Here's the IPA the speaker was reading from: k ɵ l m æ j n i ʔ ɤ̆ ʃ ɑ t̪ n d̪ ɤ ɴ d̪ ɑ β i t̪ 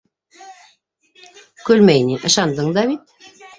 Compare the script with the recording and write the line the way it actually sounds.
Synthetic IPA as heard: k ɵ l m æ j n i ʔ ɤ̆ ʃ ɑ n d̪ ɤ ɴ d̪ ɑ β i t̪